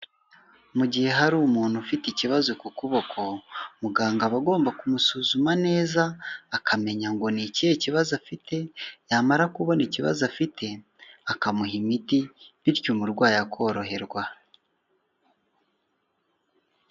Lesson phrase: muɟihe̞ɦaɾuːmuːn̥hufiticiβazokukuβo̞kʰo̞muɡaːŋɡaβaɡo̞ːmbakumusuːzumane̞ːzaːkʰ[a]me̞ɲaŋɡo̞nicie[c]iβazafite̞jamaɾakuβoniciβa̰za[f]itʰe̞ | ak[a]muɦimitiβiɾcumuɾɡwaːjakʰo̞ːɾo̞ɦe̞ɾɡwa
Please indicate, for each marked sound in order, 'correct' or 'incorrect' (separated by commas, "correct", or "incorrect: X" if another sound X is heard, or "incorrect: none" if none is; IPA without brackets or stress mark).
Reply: correct, correct, correct, correct